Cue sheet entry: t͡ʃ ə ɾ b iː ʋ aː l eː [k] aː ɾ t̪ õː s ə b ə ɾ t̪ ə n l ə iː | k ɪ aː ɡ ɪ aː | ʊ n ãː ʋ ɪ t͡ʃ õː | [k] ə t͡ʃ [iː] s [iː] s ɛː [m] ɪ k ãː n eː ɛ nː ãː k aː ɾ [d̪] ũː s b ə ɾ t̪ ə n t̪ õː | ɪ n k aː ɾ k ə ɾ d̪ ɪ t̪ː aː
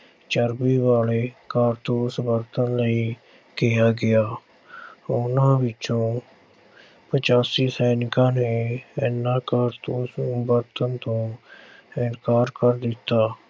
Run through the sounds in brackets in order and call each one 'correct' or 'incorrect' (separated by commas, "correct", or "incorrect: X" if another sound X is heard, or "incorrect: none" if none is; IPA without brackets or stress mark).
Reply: correct, incorrect: p, incorrect: aː, correct, incorrect: n, incorrect: t̪